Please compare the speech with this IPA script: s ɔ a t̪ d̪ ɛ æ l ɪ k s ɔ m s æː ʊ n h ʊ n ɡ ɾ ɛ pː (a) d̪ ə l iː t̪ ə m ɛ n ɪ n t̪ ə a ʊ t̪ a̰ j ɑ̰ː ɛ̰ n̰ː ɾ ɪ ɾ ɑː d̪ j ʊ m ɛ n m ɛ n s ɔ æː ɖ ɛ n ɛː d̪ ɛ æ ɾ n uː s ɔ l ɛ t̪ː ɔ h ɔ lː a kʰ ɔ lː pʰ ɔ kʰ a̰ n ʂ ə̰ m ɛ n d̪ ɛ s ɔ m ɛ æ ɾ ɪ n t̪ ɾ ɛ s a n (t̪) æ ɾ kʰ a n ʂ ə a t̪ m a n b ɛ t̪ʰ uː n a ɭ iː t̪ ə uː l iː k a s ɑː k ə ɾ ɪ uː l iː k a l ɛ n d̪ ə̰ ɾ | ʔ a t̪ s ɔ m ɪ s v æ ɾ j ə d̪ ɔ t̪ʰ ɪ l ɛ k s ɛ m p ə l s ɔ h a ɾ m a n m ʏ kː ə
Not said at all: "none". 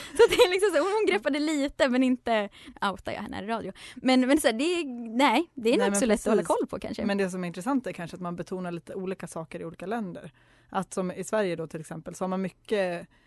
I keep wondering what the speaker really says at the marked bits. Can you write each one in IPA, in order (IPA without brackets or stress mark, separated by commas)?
a, t̪